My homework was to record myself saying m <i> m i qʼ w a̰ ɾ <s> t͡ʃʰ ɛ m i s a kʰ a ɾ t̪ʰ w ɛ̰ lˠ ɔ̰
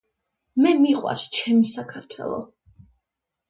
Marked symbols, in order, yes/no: no, yes

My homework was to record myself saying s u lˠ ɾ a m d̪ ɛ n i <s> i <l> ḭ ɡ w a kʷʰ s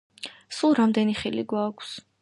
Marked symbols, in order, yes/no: no, yes

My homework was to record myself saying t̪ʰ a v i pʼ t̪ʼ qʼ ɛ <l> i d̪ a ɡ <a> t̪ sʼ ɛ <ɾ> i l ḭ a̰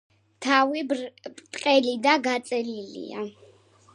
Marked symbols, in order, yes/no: yes, yes, no

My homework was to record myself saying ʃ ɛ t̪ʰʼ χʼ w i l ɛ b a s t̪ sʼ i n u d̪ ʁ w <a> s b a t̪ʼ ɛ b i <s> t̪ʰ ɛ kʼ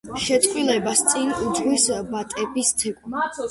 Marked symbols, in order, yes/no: no, yes

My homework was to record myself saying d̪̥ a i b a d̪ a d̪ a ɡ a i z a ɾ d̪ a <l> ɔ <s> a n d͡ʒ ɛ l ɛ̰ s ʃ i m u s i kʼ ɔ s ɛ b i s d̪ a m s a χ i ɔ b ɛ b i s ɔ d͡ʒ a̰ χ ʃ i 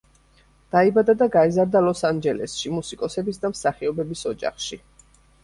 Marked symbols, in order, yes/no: yes, yes

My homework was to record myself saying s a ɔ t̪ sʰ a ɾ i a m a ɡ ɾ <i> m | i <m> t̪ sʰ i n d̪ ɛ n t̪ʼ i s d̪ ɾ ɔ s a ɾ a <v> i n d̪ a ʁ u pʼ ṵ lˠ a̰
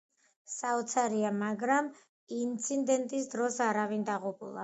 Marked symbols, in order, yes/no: no, no, yes

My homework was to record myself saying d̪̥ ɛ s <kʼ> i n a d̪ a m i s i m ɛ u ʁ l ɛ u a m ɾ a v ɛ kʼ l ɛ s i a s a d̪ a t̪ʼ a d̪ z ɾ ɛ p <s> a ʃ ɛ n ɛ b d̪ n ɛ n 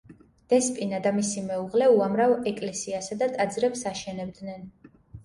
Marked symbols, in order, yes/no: no, yes

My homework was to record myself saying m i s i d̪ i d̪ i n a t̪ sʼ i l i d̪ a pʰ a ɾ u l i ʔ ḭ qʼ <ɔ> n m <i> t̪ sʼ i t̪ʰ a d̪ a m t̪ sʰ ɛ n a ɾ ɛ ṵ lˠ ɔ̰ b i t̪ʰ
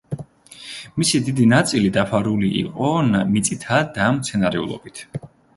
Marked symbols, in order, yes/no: yes, yes

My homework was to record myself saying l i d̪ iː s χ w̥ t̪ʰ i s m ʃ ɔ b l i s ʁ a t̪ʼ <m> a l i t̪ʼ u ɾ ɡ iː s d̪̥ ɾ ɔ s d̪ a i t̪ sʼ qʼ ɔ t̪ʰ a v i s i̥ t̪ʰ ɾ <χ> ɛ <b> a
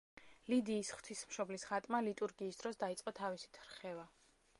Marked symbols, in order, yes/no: yes, yes, no

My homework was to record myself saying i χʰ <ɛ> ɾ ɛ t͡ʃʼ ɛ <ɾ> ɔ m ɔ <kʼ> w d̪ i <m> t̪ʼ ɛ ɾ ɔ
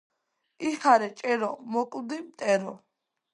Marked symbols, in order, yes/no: no, yes, yes, yes

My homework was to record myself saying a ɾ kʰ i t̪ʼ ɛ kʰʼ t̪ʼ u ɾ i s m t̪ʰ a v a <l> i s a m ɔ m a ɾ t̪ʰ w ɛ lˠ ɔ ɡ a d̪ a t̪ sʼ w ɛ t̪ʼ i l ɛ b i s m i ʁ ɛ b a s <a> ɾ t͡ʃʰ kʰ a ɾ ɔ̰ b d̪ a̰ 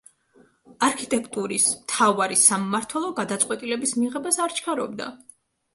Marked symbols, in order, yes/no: no, yes

